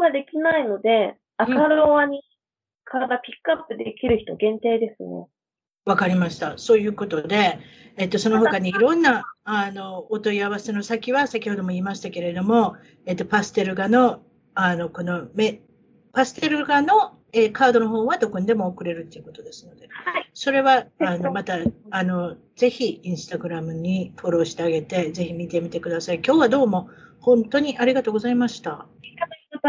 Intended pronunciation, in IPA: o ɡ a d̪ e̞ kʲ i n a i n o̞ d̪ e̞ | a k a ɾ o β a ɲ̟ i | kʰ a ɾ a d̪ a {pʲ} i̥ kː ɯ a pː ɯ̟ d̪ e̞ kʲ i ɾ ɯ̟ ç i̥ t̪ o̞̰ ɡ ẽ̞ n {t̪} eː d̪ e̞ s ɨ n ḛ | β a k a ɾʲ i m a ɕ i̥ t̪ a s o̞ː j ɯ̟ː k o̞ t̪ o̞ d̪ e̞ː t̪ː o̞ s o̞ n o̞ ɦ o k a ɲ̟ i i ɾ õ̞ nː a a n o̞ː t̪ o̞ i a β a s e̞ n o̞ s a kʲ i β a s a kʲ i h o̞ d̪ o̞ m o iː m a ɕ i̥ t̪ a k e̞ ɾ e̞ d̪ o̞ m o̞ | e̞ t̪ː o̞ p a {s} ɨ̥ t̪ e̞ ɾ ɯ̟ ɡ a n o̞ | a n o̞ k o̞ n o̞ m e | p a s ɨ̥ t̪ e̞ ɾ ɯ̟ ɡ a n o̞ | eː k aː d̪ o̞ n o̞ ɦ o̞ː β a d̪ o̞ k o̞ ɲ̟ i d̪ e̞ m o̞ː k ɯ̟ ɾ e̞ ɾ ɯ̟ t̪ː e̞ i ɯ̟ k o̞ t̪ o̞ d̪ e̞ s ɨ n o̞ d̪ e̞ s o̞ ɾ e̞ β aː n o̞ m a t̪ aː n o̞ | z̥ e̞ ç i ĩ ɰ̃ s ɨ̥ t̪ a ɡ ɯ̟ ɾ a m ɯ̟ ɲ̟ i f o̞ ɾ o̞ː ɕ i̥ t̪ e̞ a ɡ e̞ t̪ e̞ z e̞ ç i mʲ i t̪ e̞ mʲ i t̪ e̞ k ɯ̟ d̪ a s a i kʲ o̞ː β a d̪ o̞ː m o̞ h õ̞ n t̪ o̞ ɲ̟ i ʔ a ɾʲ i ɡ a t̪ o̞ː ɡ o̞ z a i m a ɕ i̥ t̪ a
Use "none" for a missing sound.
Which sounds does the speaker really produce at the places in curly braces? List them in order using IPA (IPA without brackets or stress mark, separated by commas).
pʲ, t̪, s